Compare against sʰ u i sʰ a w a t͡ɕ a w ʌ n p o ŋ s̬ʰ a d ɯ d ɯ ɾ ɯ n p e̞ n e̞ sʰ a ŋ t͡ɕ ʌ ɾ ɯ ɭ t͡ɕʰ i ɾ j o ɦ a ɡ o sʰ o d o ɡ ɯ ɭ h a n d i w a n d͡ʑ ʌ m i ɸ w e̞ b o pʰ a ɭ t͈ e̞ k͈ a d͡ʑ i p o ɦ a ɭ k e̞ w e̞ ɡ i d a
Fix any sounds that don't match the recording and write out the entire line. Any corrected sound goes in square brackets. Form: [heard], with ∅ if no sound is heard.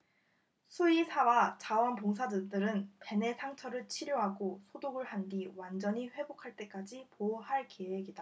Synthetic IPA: sʰ u i sʰ a w a t͡ɕ a w ʌ n p o ŋ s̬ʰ a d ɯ d ɯ ɾ ɯ n p e̞ n e̞ sʰ a ŋ [t͡ɕʰ] ʌ ɾ ɯ ɭ t͡ɕʰ i ɾ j o ɦ a ɡ o sʰ o d o ɡ ɯ ɭ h a n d i w a n d͡ʑ ʌ [ɲ] i ɸ w e̞ b o [kʰ] a ɭ t͈ e̞ k͈ a d͡ʑ i p o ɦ a ɭ k e̞ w e̞ ɡ i d a